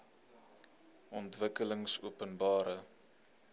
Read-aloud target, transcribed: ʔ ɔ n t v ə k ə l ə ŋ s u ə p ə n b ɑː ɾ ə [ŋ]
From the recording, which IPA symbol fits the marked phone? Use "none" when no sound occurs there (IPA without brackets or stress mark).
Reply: none